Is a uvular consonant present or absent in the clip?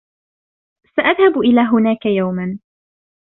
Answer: absent